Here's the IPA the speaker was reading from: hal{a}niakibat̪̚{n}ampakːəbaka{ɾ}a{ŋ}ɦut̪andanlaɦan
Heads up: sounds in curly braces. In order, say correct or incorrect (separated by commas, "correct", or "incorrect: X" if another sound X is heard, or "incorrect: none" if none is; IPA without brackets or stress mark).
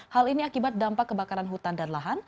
incorrect: i, incorrect: d, correct, incorrect: n